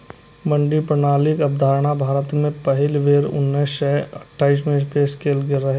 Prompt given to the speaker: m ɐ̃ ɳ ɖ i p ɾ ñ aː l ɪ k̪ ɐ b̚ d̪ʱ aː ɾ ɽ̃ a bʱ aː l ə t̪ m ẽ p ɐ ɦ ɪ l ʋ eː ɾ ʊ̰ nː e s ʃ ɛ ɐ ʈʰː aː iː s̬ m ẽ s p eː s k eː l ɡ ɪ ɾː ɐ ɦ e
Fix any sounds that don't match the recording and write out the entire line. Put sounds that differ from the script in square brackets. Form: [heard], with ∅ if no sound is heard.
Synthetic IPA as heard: m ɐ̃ ɳ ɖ i p ɾ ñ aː l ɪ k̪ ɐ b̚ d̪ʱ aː ɾ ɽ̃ a bʱ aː [ɾ] ə t̪ m ẽ p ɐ ɦ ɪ l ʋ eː ɾ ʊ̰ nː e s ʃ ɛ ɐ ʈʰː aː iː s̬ m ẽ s p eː s k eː l ɡ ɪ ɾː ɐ ɦ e